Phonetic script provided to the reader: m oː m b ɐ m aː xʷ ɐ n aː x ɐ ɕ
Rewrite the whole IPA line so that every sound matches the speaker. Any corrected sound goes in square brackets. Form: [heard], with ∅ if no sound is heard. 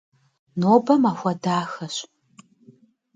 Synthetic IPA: [n] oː [∅] b ɐ m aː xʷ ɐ [d] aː x ɐ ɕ